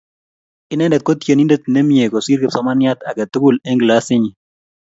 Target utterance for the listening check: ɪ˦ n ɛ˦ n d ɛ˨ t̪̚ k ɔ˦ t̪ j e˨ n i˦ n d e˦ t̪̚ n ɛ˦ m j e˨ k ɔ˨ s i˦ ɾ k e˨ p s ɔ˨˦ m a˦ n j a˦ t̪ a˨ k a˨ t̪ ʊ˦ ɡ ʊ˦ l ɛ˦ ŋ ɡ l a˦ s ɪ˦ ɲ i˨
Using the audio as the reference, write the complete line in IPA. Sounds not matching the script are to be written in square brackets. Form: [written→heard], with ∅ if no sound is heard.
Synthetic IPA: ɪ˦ n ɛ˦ n d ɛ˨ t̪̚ k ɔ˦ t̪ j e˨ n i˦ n d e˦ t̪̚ n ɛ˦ m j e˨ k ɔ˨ s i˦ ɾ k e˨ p s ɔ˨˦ m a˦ n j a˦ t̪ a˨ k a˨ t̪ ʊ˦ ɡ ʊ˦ l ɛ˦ ŋ ɡ l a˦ s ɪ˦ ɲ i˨